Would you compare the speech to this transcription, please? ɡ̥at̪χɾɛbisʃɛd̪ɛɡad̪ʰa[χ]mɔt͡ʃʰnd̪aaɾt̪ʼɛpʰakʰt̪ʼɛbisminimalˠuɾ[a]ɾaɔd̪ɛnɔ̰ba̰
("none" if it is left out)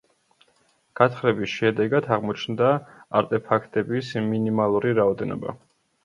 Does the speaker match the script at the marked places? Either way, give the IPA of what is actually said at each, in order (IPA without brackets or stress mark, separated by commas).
ʁ, i